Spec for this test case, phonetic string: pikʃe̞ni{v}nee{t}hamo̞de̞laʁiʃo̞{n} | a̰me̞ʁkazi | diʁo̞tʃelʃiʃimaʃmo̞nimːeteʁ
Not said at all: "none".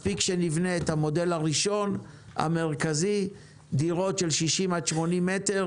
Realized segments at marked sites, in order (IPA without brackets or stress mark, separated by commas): v, t, n